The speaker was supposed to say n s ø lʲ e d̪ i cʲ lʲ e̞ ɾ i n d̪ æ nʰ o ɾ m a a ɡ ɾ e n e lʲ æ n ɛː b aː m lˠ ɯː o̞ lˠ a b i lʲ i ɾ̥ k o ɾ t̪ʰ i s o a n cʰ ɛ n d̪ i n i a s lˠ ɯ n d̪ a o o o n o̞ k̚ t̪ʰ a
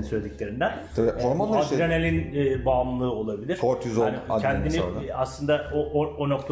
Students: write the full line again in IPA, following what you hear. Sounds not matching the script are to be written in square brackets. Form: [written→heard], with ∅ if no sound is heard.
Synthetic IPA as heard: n s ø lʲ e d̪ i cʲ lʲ e̞ ɾ i n d̪ æ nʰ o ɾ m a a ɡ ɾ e n e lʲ [æ→i] n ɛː b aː m lˠ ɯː o̞ lˠ a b i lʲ i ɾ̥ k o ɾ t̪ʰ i [s→z] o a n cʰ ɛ n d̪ i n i a s lˠ ɯ n d̪ a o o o n o̞ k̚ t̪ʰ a